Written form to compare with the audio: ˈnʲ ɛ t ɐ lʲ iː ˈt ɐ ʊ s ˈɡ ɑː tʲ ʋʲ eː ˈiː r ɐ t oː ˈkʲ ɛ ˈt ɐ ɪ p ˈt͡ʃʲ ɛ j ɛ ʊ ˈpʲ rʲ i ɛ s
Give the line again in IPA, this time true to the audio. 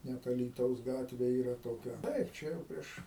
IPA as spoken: ˈnʲ ɛ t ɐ lʲ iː ˈt ɐ ʊ s ˈɡ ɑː tʲ ʋʲ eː ˈiː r ɐ t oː ˈkʲ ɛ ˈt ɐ ɪ p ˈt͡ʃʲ ɛ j ɛ ʊ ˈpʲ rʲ i ɛ ʃ